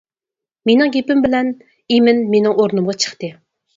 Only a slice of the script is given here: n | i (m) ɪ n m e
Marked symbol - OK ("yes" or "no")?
yes